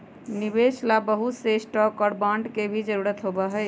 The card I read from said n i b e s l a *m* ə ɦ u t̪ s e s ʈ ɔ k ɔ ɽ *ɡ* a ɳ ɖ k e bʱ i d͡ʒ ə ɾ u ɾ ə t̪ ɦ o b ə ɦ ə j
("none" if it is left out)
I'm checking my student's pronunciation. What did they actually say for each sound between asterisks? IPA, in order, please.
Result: b, b

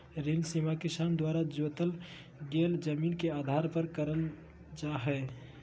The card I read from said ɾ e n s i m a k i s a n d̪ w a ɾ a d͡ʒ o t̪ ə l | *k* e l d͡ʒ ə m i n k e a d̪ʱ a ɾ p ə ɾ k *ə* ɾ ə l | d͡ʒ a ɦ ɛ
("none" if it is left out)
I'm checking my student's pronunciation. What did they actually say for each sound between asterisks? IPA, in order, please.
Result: ɡ, ə

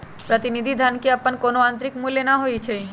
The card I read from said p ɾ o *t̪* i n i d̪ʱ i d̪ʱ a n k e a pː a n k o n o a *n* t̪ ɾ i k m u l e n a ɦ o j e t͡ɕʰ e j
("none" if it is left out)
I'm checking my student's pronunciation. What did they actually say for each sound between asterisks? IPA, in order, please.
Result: t̪, n

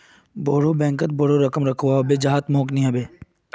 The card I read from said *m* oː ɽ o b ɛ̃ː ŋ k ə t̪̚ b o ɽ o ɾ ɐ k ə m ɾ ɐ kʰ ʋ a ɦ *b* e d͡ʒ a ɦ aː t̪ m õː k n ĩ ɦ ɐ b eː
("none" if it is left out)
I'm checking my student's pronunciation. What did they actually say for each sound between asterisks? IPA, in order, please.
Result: b, b

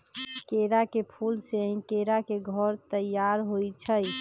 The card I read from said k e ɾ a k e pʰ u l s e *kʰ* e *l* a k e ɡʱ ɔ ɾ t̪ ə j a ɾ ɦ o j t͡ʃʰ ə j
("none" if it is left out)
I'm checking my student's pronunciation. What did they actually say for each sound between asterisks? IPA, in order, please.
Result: k, ɾ

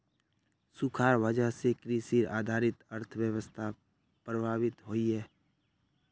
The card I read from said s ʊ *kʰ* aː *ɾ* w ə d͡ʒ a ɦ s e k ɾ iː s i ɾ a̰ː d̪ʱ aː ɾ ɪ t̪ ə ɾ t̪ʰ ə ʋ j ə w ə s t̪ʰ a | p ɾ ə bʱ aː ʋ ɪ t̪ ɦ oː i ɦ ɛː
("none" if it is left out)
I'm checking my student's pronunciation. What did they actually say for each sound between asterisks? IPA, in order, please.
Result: kʰ, ɾ

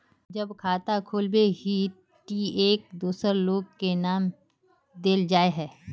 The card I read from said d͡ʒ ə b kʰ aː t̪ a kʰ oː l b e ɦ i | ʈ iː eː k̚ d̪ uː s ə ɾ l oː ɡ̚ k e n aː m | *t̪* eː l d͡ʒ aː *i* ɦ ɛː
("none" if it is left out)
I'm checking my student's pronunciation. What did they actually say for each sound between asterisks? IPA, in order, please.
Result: d̪, e

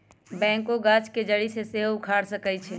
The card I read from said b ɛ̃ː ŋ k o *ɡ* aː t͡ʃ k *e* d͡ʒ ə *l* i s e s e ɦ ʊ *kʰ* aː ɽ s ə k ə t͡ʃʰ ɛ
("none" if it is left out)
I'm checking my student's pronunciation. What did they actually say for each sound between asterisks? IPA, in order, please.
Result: ɡ, e, ɽ, kʰ

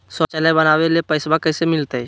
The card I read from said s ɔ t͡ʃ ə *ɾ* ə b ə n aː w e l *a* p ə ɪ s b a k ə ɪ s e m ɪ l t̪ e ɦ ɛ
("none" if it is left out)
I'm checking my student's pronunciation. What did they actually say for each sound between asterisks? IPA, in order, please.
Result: l, e

